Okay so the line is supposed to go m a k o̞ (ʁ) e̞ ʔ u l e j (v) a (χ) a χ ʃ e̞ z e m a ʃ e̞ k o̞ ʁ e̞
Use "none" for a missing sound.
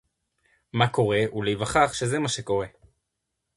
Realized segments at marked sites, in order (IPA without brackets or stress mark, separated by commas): ʁ, v, χ